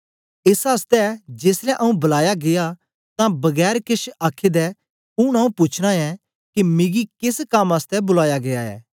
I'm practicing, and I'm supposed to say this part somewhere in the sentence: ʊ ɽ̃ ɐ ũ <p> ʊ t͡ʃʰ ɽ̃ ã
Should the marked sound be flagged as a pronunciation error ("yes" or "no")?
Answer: no